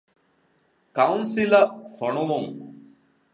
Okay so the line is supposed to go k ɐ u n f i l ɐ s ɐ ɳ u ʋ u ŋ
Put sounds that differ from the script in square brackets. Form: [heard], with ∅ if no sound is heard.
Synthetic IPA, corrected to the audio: k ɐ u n [s] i l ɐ [f] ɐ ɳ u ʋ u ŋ